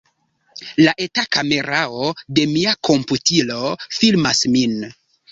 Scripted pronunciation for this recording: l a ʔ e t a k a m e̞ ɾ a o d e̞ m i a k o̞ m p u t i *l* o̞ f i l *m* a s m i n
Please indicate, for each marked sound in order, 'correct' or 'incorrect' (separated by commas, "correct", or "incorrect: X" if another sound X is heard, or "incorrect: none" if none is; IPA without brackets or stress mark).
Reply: correct, correct